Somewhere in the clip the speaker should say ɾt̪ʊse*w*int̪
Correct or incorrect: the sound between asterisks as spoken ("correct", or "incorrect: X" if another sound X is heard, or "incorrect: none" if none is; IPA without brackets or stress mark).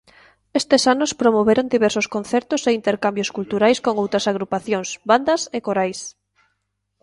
incorrect: none